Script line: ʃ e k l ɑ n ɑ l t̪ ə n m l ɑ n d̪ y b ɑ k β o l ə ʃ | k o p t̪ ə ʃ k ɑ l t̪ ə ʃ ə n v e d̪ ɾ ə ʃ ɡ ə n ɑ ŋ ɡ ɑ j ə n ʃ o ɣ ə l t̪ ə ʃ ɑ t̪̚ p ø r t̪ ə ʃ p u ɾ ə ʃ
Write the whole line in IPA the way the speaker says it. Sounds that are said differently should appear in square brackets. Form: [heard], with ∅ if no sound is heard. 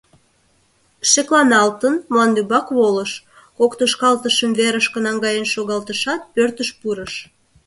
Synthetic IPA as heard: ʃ e k l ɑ n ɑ l t̪ ə n m l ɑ n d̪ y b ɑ k β o l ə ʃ | k o [k] t̪ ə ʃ k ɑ l t̪ ə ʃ ə [m] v e [∅] ɾ ə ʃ [k] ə n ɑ ŋ ɡ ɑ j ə n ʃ o ɣ [ɑ] l t̪ ə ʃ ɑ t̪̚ p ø r t̪ ə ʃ p u ɾ ə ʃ